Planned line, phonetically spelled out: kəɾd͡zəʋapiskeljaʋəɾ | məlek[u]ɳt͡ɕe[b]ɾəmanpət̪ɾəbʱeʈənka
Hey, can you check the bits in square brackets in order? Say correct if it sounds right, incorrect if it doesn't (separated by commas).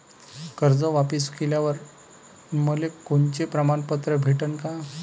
incorrect, incorrect